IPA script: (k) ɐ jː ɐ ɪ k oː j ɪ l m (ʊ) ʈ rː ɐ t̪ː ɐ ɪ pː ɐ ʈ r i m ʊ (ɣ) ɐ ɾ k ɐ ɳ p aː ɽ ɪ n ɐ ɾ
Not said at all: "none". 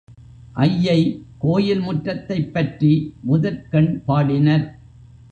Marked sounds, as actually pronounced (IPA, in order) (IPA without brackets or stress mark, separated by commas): ʔ, ʊ, ð